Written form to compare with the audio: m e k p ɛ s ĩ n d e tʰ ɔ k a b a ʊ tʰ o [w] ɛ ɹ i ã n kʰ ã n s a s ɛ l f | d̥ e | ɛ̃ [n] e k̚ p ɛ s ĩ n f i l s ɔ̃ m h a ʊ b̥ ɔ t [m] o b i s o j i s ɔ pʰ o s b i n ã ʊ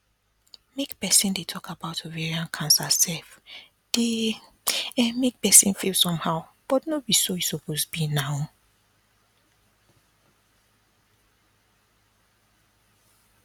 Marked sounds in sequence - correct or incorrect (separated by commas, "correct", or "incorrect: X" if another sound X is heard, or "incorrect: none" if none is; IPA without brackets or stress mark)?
incorrect: v, incorrect: m, incorrect: n